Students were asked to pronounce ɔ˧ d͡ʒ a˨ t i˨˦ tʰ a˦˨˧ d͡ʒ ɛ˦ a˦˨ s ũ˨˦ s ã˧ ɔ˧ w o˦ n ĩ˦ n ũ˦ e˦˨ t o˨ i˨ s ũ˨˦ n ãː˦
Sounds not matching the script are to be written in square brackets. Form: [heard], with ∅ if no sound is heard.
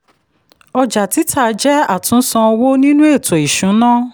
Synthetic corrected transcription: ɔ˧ d͡ʒ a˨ t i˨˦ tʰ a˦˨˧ d͡ʒ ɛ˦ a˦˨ [t] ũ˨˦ s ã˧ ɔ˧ w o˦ n ĩ˦ n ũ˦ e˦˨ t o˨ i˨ [ʃ] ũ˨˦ n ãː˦